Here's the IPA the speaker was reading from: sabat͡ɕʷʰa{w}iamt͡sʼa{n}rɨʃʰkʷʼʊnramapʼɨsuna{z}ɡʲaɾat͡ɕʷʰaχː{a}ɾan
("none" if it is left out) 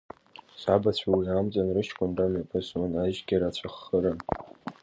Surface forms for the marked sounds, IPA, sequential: w, n, ʒ, ə

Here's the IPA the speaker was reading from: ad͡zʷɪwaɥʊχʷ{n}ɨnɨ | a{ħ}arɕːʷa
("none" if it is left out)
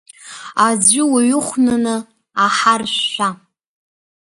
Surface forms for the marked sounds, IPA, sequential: n, ħ

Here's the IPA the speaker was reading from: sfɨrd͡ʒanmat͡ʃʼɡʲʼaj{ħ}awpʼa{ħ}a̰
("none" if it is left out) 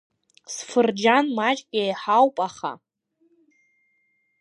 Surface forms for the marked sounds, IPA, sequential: ħ, χ

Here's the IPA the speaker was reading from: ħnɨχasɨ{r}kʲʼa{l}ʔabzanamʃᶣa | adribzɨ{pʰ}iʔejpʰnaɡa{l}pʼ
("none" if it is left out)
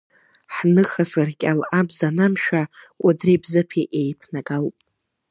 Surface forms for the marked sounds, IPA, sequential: r, l, pʰ, l

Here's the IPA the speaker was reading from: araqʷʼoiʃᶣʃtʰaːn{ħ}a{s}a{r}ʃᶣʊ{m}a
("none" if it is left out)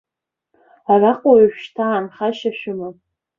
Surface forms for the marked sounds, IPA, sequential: χ, ʃ, none, m

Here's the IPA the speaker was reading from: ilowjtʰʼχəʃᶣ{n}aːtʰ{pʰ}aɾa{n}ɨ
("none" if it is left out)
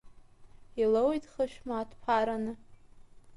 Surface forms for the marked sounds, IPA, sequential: m, pʰ, n

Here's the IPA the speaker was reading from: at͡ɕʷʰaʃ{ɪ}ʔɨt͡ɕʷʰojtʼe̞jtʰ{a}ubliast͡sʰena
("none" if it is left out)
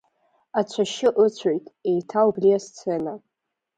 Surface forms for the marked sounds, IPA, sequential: ɪ, a

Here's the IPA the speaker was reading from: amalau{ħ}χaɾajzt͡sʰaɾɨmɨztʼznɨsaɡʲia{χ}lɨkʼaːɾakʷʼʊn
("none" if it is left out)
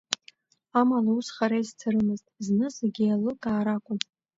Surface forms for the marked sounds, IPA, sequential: s, none

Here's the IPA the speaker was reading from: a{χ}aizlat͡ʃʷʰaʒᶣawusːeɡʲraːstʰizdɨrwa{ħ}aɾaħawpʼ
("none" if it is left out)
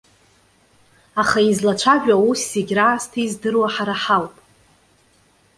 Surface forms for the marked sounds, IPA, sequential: χ, ħ

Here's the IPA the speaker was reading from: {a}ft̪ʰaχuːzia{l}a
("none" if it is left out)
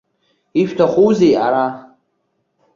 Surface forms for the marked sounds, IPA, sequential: i, ɾ

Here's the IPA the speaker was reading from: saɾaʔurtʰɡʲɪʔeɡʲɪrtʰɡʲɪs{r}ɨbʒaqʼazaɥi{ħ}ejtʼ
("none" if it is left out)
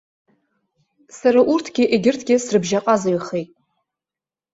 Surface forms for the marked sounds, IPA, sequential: r, χ

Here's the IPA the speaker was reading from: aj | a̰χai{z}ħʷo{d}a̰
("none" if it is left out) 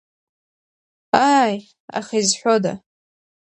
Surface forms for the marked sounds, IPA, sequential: z, d

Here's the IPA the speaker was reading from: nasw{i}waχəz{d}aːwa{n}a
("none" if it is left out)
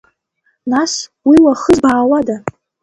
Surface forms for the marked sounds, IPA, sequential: i, b, d

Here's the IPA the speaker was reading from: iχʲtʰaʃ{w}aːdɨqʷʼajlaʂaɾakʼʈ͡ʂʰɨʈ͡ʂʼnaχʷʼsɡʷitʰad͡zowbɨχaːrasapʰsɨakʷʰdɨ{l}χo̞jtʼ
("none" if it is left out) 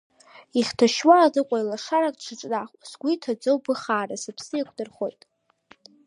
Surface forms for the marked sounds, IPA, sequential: w, r

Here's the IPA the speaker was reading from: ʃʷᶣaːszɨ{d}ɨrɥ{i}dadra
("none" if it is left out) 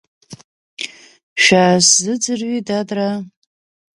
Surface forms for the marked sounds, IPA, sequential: d͡z, i

